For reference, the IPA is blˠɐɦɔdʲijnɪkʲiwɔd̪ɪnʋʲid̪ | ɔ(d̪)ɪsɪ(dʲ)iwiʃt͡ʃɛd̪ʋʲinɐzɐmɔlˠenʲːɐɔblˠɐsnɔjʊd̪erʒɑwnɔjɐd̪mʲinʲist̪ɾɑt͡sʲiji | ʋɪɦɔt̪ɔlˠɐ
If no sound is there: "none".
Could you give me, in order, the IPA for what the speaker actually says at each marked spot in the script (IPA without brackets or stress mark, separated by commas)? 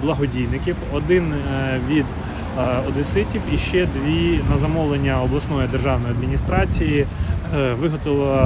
d̪, tʲ